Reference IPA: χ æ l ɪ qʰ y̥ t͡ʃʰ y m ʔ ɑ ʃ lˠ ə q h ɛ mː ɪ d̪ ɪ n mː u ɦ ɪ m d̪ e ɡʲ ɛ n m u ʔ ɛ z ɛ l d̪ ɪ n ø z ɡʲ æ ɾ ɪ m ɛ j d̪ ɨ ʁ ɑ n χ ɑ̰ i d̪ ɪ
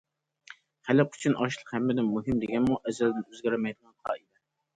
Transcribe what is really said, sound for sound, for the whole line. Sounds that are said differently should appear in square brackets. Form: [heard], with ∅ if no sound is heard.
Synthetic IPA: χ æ l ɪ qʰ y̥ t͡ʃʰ y [n] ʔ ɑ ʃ lˠ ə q h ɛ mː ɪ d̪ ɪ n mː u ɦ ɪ m d̪ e ɡʲ ɛ n m u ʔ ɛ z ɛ l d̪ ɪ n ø z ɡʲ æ ɾ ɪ m ɛ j d̪ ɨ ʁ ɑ n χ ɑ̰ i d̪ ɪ